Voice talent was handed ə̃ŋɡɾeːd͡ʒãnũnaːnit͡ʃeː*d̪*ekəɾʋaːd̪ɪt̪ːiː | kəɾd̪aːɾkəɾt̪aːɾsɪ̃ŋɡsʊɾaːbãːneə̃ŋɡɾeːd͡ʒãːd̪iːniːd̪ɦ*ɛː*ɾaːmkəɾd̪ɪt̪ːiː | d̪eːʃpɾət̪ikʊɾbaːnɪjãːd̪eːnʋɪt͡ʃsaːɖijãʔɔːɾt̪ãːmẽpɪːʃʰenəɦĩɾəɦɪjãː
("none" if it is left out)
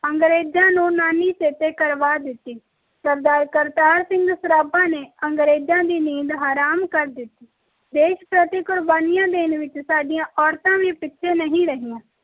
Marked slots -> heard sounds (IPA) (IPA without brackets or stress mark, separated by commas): t̪, aː